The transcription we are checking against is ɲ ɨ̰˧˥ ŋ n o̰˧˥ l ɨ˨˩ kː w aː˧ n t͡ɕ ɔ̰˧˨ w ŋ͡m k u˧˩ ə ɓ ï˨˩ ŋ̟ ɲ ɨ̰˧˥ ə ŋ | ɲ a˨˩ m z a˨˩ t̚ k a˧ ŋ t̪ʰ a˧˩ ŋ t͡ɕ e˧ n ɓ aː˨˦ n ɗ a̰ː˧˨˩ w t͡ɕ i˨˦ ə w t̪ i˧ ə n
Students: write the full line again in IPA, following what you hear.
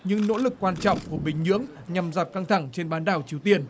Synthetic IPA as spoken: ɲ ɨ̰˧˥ ŋ n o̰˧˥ l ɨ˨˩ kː w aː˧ n t͡ɕ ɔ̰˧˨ w ŋ͡m k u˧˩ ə ɓ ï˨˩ ŋ̟ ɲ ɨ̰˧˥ ə ŋ | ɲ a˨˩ m z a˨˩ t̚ k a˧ ŋ t̪ʰ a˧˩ ŋ t͡ɕ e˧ n ɓ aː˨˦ n ɗ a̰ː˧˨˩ w t͡ɕ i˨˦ ə w t̪ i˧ ə n